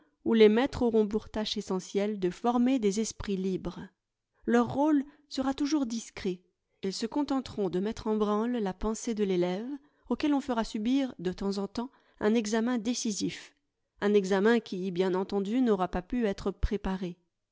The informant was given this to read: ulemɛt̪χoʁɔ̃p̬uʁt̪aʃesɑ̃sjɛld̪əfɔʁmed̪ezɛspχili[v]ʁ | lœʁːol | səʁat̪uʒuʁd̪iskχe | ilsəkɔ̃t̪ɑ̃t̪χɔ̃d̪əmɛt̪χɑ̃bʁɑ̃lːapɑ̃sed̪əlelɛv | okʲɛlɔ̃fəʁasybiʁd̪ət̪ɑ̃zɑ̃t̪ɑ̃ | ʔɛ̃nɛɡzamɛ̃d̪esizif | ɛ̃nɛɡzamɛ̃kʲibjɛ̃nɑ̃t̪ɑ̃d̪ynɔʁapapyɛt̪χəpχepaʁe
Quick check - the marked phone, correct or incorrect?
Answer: incorrect